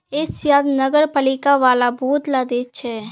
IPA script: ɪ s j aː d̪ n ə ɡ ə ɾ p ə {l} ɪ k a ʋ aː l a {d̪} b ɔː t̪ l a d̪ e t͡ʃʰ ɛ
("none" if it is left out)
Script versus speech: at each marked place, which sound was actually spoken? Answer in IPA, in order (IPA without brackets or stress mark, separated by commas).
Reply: l, none